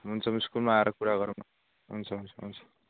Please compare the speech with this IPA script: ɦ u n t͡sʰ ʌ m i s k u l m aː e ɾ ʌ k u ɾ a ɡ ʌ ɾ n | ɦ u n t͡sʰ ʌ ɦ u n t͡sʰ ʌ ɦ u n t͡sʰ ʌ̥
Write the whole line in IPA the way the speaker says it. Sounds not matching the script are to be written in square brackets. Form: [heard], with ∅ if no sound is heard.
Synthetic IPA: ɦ u n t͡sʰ ʌ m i s k u l m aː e ɾ ʌ k u ɾ a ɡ ʌ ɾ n | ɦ u n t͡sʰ ʌ ɦ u n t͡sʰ ʌ ɦ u n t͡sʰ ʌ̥